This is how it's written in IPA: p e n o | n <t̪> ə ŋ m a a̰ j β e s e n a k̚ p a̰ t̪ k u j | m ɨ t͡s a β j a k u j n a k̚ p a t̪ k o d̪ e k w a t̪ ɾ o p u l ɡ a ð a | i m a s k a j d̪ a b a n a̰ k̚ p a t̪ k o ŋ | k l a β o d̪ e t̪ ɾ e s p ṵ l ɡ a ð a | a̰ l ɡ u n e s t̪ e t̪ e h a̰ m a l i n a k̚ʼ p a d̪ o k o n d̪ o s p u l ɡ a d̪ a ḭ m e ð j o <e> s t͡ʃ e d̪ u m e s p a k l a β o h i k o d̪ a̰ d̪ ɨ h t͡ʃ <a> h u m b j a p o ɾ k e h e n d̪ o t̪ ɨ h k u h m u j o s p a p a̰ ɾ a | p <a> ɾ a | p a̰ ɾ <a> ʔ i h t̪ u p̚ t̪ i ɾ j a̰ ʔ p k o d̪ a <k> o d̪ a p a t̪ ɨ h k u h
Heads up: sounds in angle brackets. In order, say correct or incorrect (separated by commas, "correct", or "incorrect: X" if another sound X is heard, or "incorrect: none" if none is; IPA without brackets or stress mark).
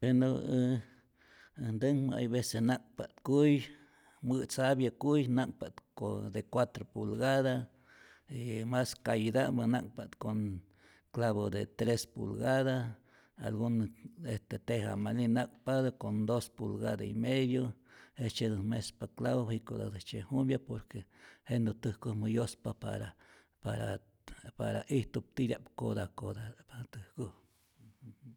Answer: incorrect: d̪, correct, incorrect: e, correct, correct, correct